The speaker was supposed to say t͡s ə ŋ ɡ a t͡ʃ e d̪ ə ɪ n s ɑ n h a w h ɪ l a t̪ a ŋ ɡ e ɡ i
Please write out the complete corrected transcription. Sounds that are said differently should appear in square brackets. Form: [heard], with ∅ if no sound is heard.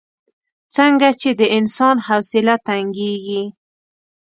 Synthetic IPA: t͡s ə ŋ ɡ a t͡ʃ e d̪ ə ɪ n s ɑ n h a w [s] ɪ l a t̪ a ŋ ɡ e ɡ i